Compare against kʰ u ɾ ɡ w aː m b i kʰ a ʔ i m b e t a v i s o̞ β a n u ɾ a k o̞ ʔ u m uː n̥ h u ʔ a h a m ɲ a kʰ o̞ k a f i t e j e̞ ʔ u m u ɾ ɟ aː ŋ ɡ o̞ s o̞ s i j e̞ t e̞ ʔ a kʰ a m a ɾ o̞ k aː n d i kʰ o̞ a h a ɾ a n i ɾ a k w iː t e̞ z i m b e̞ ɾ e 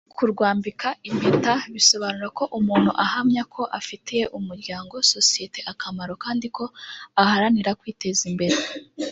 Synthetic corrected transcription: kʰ u ɾ ɡ w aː m b i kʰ a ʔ i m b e t a β i s o̞ β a n u ɾ a k o̞ ʔ u m uː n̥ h u ʔ a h a m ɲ a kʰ o̞ ʔ a f i t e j e̞ ʔ u m u ɾ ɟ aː ŋ ɡ o̞ s o̞ s i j e̞ t e̞ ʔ a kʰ a m a ɾ o̞ k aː n d i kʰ o̞ a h a ɾ a n i ɾ a k w iː t e̞ z i m b e̞ ɾ e